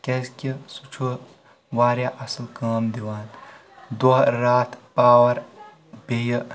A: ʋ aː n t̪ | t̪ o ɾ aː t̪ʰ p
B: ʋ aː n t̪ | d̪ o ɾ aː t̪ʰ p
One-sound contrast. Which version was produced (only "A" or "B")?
B